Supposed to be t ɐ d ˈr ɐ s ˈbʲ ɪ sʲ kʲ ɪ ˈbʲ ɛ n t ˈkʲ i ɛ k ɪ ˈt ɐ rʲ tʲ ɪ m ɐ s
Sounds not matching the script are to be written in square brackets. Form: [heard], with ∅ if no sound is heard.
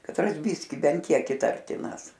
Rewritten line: [k] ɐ [t] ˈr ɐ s ˈbʲ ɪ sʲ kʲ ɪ ˈbʲ ɛ n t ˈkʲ i ɛ k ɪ ˈt ɐ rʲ tʲ ɪ [n] ɐ s